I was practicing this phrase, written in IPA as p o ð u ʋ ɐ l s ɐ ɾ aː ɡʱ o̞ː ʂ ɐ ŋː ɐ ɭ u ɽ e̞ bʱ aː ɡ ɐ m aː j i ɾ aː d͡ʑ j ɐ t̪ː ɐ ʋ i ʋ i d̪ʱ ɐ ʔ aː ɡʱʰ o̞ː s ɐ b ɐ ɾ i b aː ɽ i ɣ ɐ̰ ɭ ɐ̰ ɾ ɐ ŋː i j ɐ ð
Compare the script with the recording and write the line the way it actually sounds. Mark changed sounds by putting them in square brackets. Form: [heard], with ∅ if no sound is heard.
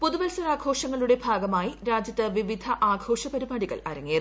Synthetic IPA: p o ð u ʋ ɐ l s ɐ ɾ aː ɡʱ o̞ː ʂ ɐ ŋː ɐ ɭ u ɽ e̞ bʱ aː ɡ ɐ m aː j i ɾ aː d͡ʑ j ɐ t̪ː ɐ ʋ i ʋ i d̪ʱ ɐ ʔ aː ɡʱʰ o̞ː [ʂ] ɐ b ɐ ɾ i b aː ɽ i ɣ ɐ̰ ɭ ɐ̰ ɾ ɐ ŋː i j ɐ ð